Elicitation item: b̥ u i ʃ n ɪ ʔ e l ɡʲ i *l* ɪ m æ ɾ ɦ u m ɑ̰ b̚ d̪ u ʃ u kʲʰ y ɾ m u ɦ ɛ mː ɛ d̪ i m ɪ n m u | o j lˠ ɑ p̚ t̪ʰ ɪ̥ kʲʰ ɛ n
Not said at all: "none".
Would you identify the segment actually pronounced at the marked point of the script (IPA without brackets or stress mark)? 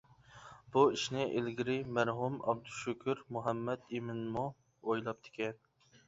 ɾ